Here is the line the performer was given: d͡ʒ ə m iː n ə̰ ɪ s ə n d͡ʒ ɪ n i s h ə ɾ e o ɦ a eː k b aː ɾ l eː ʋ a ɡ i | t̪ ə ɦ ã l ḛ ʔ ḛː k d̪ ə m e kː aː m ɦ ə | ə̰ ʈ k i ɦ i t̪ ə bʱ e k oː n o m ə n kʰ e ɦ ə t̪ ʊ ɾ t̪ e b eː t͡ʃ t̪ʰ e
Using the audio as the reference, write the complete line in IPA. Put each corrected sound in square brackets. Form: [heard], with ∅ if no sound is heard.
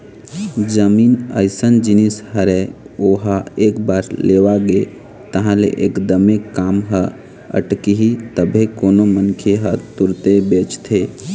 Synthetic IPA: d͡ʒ ə m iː n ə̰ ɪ s ə n d͡ʒ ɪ n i s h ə ɾ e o ɦ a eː k b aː ɾ l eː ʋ a ɡ [e] | t̪ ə ɦ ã l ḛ ʔ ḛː k d̪ ə m e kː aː m ɦ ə | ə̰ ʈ k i ɦ i t̪ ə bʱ e k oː n o m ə n kʰ e ɦ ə t̪ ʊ ɾ t̪ e b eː t͡ʃ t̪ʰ e